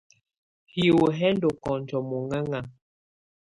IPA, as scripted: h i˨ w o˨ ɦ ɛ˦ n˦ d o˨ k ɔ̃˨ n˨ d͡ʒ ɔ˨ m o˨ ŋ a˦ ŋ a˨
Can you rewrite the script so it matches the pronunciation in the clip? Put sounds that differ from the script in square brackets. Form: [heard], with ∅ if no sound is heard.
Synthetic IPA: h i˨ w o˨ ɦ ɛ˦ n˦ d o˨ k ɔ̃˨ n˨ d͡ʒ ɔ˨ m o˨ ŋ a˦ ŋ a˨